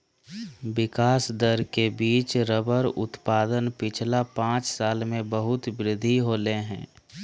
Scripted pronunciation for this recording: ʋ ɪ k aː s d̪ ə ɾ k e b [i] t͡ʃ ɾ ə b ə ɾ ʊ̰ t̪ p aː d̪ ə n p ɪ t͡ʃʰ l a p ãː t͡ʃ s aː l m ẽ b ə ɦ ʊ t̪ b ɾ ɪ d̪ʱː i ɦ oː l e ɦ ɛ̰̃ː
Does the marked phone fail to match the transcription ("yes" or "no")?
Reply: yes